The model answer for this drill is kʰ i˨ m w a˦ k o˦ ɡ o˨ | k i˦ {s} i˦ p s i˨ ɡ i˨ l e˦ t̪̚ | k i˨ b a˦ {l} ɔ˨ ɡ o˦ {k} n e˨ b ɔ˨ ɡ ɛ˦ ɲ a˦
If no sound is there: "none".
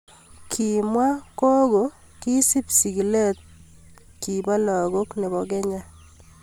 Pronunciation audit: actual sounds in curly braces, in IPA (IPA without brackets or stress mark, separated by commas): s, l, k